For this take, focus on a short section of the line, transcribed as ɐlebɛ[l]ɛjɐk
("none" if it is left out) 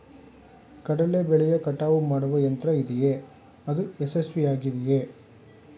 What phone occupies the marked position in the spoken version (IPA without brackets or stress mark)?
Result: ɭ